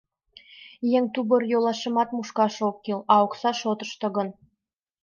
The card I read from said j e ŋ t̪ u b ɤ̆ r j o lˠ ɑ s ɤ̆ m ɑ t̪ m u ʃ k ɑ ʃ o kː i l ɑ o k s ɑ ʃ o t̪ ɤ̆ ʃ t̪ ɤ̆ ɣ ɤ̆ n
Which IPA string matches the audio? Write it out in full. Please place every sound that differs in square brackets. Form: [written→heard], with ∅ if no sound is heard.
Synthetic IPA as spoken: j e ŋ t̪ u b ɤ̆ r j o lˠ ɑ [s→ʃ] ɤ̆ m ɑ t̪ m u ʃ k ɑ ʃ o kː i l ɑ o k s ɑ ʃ o t̪ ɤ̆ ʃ t̪ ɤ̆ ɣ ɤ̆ n